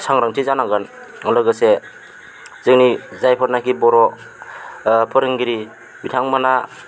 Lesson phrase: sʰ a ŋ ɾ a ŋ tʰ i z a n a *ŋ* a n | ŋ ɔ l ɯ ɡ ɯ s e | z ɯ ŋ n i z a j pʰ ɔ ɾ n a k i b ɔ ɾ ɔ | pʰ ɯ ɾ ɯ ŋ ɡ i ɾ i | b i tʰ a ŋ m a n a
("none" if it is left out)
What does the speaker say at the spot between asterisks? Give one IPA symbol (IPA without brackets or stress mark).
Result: ɡ